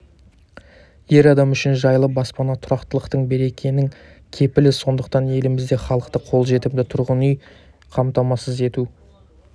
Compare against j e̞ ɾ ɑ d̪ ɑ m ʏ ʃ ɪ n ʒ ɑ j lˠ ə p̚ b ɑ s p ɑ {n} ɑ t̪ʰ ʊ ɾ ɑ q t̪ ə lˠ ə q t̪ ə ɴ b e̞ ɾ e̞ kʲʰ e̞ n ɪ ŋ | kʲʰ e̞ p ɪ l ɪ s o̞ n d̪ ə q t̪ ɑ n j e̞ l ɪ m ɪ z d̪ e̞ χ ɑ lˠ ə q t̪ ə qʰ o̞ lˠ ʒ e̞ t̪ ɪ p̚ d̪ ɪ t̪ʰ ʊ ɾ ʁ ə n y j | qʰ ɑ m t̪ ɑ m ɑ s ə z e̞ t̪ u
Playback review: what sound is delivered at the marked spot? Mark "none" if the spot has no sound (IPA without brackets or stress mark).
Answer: n